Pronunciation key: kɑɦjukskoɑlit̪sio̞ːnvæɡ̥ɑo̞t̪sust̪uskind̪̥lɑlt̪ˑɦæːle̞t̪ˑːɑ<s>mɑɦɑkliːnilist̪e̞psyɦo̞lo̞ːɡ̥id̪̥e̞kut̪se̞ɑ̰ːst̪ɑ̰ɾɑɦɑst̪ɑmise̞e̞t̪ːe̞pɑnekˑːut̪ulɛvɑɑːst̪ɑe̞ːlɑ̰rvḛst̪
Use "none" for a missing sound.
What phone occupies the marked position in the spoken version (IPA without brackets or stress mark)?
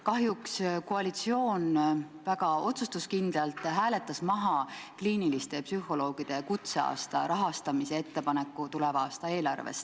s